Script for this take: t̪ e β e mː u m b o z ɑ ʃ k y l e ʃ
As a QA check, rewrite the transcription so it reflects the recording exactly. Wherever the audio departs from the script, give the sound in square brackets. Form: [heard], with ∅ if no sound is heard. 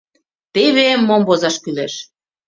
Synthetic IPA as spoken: t̪ e β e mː [o] m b o z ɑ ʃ k y l e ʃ